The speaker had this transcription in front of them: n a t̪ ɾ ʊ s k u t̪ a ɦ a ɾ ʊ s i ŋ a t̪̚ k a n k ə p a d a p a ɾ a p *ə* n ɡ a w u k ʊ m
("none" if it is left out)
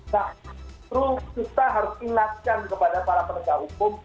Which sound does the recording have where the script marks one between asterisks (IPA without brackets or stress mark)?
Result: ə